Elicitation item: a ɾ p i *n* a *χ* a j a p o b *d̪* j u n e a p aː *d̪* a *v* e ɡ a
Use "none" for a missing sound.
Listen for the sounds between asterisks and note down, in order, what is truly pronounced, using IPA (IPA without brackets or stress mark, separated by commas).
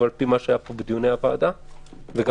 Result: m, ʃ, d̪, d̪, v